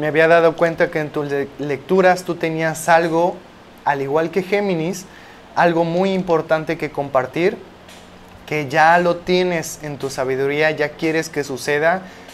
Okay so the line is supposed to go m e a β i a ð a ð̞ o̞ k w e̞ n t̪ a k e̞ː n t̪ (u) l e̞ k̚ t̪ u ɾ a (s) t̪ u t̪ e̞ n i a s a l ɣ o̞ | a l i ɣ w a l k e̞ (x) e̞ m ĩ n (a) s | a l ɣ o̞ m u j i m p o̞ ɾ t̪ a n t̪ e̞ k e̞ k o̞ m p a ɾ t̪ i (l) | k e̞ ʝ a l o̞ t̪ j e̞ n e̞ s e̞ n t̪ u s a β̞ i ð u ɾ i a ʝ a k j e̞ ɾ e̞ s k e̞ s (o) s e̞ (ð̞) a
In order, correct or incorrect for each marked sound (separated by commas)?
correct, correct, correct, incorrect, incorrect, incorrect, correct